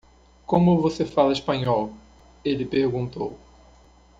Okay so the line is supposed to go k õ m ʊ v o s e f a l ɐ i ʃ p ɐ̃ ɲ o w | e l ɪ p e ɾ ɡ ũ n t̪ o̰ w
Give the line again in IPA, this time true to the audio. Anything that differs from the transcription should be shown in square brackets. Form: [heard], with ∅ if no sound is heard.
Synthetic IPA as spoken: k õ m ʊ v o s e f a l ɐ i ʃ p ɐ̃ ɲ [ɔ] w | e l ɪ p e ɾ ɡ ũ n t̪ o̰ w